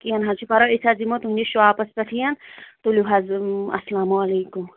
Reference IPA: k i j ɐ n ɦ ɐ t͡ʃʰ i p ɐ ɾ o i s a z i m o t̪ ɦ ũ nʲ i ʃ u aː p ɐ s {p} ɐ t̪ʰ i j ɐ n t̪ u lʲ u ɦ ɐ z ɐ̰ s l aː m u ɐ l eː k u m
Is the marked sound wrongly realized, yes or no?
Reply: no